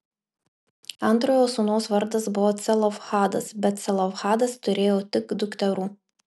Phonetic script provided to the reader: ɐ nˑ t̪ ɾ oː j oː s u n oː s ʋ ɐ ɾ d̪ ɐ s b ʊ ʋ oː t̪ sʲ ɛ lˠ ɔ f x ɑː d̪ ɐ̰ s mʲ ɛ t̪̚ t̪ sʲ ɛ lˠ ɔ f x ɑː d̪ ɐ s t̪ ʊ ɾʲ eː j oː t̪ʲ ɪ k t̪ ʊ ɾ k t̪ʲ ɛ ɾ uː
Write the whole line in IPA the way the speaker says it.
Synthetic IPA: ɐ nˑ t̪ ɾ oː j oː s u n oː s ʋ ɐ ɾ d̪ ɐ s b ʊ ʋ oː t̪ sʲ ɛ lˠ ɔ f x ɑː d̪ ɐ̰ s bʲ ɛ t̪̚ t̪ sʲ ɛ lˠ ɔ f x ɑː d̪ ɐ s t̪ ʊ ɾʲ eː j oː t̪ʲ ɪ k d̪ ʊ k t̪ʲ ɛ ɾ uː